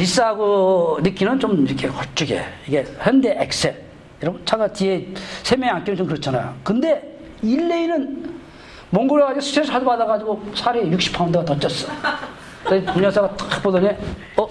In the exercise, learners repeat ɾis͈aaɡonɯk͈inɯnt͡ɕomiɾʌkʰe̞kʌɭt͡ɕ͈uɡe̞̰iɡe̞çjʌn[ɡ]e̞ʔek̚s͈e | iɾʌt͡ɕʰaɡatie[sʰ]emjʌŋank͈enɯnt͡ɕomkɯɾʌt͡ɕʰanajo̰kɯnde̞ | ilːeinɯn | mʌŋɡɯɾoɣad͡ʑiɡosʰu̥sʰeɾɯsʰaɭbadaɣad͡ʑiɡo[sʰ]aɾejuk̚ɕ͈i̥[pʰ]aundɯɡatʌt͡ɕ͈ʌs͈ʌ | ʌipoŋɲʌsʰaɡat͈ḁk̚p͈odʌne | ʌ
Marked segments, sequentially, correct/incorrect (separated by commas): incorrect, correct, correct, correct